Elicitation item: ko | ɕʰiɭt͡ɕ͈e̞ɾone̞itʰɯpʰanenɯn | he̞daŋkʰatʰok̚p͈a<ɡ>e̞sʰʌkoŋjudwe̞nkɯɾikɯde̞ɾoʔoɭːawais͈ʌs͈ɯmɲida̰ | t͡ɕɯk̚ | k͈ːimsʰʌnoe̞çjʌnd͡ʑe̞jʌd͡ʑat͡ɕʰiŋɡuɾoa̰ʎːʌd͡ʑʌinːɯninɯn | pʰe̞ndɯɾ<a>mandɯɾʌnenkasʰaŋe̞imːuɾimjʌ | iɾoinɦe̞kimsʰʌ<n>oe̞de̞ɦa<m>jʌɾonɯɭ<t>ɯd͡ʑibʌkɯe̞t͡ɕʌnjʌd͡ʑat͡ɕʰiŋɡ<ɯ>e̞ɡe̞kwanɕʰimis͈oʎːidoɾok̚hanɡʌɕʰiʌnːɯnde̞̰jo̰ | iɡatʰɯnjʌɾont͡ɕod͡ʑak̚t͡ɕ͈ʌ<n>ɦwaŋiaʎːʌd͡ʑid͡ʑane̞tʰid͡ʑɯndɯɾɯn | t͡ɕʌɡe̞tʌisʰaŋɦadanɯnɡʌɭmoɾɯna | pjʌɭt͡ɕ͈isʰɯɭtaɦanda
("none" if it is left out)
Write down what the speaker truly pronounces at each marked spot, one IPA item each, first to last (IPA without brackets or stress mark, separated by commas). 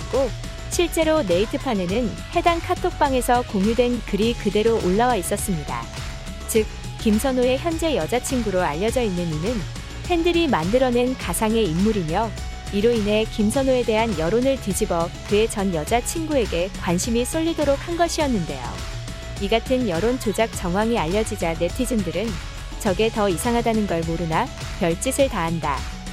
ŋ, i, n, n, t, u, ŋ